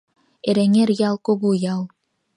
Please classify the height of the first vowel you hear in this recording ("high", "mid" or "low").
mid